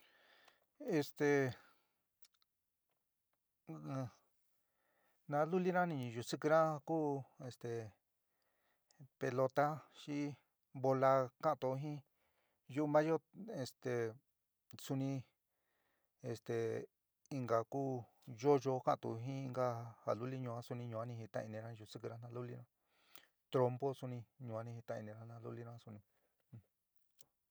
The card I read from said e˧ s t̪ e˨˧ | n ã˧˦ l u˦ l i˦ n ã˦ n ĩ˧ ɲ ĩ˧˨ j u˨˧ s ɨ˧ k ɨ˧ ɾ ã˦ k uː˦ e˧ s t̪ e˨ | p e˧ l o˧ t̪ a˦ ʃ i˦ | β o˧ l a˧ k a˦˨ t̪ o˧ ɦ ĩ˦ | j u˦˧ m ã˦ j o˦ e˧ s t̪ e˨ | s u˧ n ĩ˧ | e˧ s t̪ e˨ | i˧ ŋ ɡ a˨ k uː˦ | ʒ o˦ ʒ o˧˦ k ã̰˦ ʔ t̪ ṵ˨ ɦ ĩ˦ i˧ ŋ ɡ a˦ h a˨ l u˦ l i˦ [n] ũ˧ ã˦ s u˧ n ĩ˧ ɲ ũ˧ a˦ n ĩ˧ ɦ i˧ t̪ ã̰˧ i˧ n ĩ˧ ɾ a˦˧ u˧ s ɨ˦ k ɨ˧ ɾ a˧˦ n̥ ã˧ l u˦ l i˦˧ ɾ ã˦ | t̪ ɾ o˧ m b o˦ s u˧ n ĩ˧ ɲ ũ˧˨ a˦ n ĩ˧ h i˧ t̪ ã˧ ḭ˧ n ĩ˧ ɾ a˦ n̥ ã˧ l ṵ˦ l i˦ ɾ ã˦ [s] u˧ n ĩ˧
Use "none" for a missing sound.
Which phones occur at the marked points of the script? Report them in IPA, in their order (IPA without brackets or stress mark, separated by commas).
ɲ, s